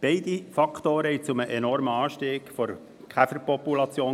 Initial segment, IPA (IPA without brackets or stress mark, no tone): b̥